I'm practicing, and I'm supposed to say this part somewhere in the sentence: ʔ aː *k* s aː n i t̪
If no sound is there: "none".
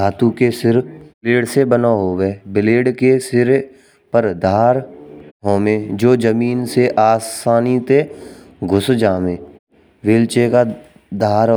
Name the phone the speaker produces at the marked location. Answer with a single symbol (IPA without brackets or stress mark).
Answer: none